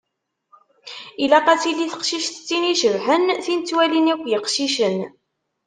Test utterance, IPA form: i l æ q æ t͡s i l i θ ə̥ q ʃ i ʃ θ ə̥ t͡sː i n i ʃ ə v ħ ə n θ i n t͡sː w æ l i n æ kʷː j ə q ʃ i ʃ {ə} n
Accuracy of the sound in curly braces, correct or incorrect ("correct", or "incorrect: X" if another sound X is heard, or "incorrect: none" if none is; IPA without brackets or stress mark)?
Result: correct